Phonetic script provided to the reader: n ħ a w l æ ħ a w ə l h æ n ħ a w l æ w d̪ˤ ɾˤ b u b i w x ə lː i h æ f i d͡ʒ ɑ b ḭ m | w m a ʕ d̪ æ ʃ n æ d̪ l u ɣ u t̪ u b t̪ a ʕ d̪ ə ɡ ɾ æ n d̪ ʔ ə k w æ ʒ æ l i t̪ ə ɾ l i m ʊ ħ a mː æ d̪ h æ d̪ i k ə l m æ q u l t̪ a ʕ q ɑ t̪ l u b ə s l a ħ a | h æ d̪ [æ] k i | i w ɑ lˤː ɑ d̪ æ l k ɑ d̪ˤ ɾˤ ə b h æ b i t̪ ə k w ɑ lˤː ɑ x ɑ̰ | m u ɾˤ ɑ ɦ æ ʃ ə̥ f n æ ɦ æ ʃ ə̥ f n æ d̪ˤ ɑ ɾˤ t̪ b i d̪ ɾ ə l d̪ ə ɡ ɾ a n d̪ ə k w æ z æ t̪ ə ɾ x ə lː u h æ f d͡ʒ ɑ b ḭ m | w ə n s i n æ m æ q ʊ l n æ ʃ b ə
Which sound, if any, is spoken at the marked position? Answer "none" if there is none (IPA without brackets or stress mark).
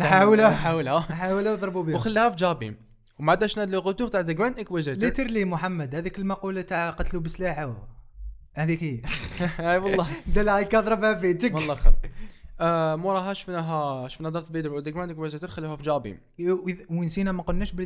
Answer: i